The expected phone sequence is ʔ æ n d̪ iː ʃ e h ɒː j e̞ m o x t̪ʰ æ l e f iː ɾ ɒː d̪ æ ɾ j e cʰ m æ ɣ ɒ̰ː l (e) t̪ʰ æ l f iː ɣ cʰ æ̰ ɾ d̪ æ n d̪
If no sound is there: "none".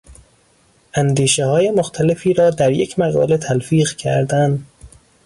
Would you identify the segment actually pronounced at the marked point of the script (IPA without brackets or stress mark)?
e